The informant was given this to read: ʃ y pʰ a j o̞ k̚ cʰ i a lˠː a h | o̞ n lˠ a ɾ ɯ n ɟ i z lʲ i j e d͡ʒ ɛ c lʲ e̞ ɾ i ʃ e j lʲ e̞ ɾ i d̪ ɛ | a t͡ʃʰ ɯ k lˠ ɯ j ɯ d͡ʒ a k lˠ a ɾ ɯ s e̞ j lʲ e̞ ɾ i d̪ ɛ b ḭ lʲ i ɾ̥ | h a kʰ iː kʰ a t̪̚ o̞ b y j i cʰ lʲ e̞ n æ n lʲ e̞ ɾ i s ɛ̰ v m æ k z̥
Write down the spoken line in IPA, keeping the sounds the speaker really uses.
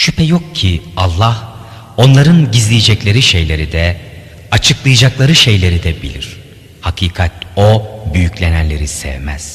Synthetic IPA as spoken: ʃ y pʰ ɛ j o̞ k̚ cʰ i a lˠː a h | o̞ n lˠ a ɾ ɯ n ɟ i z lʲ i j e d͡ʒ ɛ c lʲ e̞ ɾ i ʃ e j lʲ e̞ ɾ i d̪ ɛ | a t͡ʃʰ ɯ k lˠ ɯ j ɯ d͡ʒ a k lˠ a ɾ ɯ ʃ e̞ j lʲ e̞ ɾ i d̪ ɛ b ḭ lʲ i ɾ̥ | h a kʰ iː kʰ a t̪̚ o̞ b y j y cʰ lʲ e̞ n æ n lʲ e̞ ɾ i s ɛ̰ v m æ z̥